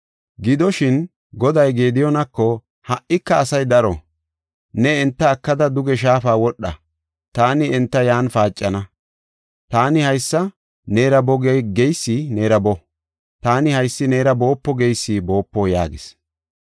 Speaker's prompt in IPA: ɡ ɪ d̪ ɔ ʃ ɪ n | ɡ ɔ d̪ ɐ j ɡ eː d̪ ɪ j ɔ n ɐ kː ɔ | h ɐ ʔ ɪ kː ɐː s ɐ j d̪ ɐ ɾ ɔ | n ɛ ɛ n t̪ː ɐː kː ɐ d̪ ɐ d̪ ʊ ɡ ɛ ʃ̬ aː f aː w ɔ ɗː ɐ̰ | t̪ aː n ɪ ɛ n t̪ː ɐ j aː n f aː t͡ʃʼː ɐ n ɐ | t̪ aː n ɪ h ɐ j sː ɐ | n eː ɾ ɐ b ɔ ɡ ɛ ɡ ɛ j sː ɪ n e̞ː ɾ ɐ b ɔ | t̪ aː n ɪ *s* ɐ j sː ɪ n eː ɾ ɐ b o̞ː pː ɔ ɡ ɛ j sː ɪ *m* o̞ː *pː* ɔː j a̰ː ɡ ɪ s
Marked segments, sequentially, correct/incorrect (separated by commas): incorrect, incorrect, correct